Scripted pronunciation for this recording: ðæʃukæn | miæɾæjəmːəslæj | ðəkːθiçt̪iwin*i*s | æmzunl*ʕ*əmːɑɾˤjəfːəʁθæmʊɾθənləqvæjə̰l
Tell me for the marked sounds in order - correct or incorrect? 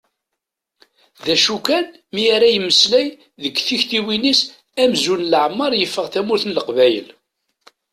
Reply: correct, correct

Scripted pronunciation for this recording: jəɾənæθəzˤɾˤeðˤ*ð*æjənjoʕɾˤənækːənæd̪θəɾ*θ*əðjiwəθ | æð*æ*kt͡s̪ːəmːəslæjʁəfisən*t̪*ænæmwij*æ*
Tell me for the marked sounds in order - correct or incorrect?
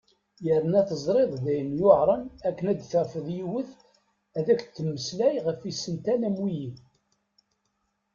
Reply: correct, incorrect, correct, correct, incorrect

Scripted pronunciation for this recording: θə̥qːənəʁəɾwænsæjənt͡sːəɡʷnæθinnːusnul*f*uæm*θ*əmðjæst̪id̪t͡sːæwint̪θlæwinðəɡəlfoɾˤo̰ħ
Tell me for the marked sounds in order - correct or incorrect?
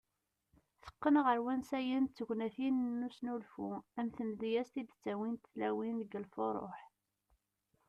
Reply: correct, correct

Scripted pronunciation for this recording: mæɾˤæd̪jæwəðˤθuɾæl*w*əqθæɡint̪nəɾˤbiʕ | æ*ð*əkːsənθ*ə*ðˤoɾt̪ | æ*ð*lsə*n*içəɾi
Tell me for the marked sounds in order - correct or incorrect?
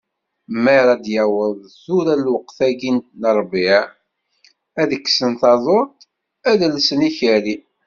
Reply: correct, correct, incorrect, correct, correct

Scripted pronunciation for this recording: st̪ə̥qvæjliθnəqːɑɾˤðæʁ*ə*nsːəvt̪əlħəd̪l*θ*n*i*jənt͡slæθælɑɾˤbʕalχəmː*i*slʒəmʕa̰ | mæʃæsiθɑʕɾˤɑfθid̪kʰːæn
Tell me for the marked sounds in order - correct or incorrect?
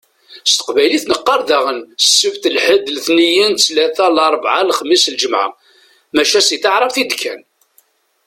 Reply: correct, correct, correct, correct

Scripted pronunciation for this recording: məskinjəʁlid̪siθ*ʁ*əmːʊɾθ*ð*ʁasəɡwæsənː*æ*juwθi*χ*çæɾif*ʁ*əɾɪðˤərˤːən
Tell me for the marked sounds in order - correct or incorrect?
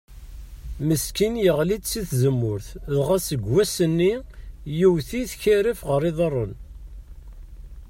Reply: incorrect, correct, incorrect, incorrect, correct

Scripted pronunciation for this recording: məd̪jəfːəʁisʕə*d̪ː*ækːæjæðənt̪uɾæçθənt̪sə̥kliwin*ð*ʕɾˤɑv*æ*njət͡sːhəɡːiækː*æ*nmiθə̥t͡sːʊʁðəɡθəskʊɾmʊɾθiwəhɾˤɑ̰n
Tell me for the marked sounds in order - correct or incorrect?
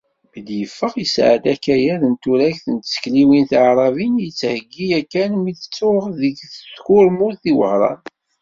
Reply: incorrect, incorrect, incorrect, correct

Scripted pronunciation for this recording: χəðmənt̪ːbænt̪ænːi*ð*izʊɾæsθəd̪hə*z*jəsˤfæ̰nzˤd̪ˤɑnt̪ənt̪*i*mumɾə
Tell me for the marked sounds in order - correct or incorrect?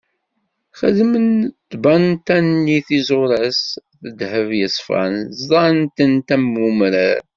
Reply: incorrect, incorrect, incorrect

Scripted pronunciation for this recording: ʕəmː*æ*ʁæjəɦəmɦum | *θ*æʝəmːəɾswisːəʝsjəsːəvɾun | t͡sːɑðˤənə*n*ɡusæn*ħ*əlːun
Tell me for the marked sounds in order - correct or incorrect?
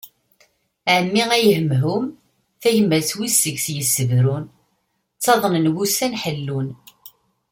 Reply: incorrect, correct, correct, correct

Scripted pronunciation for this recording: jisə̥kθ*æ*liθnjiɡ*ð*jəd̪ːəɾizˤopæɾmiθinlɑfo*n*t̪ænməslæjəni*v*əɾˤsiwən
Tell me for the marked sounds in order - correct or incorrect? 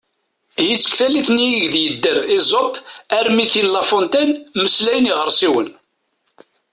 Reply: correct, correct, correct, incorrect

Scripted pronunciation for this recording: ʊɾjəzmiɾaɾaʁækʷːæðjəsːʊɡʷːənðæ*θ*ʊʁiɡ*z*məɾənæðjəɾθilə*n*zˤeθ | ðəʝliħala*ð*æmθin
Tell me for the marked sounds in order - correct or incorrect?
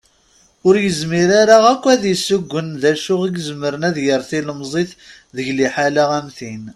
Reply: incorrect, correct, incorrect, incorrect

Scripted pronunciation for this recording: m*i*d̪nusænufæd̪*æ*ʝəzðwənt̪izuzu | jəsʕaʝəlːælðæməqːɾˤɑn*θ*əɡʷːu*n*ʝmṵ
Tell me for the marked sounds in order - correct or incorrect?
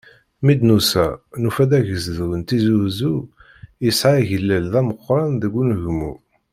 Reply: correct, correct, incorrect, correct

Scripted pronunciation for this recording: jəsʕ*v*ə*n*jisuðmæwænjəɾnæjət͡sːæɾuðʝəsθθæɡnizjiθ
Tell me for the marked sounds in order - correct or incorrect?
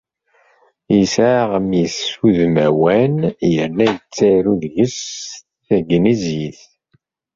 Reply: incorrect, incorrect

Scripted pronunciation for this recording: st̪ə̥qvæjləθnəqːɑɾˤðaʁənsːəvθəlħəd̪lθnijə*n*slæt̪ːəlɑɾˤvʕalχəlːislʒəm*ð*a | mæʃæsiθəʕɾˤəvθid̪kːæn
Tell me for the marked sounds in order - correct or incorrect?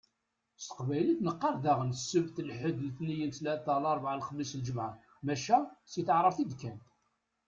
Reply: correct, incorrect

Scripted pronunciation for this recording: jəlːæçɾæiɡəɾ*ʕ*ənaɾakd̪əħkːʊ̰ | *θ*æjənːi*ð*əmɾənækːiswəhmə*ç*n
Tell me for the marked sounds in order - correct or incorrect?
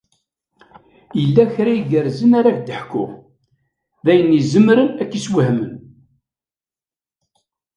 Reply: incorrect, incorrect, incorrect, incorrect

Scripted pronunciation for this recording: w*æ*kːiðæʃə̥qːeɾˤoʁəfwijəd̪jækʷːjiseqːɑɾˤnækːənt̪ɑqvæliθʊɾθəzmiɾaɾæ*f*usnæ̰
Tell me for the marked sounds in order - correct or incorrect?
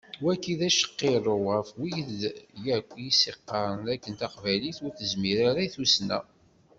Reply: correct, incorrect

